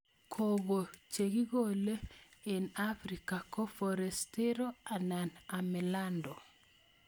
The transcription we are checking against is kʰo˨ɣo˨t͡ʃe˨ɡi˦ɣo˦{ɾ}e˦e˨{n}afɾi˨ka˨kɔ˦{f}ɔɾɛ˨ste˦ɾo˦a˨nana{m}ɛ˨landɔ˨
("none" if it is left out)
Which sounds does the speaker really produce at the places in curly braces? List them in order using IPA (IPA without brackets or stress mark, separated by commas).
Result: l, n, f, m